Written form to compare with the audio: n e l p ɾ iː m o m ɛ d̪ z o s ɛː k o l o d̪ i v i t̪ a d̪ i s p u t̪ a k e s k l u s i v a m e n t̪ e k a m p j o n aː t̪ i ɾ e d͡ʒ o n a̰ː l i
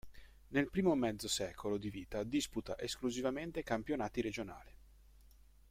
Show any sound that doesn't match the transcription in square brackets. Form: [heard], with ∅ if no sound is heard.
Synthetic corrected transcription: n e l p ɾ iː m o m ɛ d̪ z o s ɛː k o l o d̪ i v [iː] t̪ a d̪ i s p u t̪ a [ʔ] e s k l u [z] i v a m e n t̪ e k a m p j o n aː t̪ i ɾ e d͡ʒ o n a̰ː l i

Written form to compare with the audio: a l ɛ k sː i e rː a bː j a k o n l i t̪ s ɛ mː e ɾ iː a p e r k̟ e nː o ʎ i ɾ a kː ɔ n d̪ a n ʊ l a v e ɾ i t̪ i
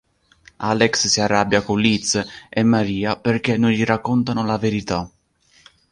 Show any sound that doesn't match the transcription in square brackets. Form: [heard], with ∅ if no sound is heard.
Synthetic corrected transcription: a l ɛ k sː i [a] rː a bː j a k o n l i t̪ s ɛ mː [a] ɾ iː a p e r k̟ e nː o ʎ i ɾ a kː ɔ n [t̪] a n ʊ l a v e ɾ i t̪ [a]

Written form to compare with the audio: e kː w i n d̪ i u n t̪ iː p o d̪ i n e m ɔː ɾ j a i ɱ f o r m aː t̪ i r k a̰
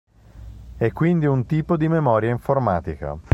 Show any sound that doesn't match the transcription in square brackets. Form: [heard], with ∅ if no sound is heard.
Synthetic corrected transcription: [ɛ] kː w i n d̪ i u n t̪ iː p o d̪ i [m] e m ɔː ɾ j a i ɱ f o r m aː t̪ i [∅] k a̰

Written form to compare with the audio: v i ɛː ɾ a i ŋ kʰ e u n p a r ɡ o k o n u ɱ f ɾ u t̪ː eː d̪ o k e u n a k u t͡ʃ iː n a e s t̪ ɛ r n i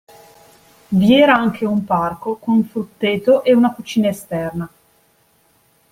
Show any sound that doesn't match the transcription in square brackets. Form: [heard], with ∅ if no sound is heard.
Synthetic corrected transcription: v i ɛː ɾ a [a] ŋ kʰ e u [m] p a r [k] o k o n u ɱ f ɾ u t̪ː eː [t̪] o [ʔ] e u n a k u t͡ʃ iː n a e s t̪ ɛ r n [a]

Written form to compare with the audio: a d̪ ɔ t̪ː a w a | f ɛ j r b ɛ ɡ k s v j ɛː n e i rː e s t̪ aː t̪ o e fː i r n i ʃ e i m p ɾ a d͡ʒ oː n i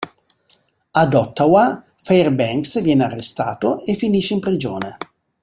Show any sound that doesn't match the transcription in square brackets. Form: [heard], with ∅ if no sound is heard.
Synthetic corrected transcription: a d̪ ɔ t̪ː a w a | f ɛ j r b ɛ [ŋ] k s v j ɛː n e [a] rː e s t̪ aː t̪ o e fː i [∅] n i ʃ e i m p ɾ [i] d͡ʒ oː n [e]

